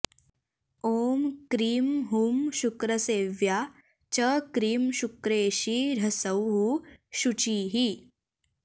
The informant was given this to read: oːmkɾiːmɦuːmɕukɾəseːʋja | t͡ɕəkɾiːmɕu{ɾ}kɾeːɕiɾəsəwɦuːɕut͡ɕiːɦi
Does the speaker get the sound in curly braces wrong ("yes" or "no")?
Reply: yes